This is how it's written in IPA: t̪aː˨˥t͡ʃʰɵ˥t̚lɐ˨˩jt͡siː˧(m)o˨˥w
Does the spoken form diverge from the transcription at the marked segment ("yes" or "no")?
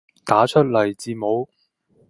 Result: no